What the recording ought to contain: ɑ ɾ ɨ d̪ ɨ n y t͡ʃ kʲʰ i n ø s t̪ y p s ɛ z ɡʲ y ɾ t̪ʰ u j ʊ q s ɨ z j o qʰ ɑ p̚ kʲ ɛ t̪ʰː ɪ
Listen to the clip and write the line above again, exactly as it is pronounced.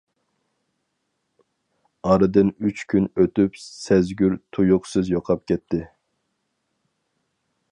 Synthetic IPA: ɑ ɾ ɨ d̪ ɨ n y t͡ʃ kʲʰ y n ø t̪ y p s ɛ z ɡʲ y ɾ t̪ʰ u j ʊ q s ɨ z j o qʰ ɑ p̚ kʲ ɛ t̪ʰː ɪ